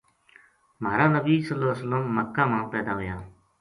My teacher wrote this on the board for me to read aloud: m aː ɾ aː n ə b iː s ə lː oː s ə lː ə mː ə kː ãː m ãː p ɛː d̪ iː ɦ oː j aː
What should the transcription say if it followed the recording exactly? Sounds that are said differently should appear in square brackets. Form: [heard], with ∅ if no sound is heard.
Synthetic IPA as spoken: m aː ɾ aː n ə b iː s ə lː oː s ə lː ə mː ə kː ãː m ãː p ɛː d̪ [aː] ɦ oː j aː